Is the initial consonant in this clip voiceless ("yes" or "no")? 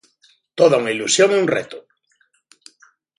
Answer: yes